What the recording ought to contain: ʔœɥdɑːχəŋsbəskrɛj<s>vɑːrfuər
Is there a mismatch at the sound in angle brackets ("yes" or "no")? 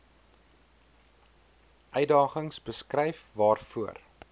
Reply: yes